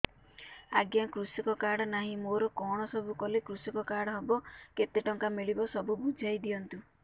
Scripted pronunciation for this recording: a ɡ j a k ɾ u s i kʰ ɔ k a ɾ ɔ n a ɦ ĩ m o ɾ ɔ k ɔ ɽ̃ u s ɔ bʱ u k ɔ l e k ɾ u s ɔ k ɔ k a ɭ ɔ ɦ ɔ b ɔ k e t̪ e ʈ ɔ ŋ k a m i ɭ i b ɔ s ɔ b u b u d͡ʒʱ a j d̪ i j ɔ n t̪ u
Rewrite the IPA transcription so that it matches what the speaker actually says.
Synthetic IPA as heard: a ɡ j a k ɾ u s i k ɔ k a ɽ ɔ n a ɦ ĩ m o ɾ ɔ k ɔ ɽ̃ ɔ s ɔ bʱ u k ɔ l e k ɾ u s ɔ k ɔ k a ɽ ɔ ɦ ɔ b ɔ k e t̪ e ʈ ɔ ŋ k a m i ɭ i b ɔ s ɔ b u b u d͡ʒʱ a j d̪ i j ɔ n t̪ u